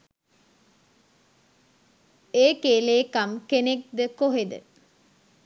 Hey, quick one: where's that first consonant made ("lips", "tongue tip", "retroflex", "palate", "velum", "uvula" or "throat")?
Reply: velum